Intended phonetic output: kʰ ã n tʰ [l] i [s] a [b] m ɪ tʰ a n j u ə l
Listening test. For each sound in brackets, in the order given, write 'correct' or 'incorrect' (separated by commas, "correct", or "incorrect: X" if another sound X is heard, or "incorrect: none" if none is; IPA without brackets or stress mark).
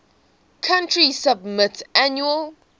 incorrect: ɹ, correct, correct